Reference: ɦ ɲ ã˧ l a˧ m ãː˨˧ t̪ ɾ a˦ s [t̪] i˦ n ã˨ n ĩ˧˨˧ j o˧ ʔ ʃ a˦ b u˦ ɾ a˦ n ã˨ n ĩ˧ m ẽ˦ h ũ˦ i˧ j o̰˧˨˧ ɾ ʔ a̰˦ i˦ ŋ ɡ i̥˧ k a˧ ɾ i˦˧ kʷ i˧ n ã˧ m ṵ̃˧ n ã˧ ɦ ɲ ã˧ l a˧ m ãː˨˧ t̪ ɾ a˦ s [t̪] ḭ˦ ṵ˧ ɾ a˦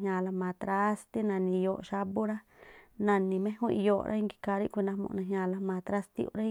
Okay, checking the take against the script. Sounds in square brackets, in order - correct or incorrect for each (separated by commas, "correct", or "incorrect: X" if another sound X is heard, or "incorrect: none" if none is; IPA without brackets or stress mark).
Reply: correct, correct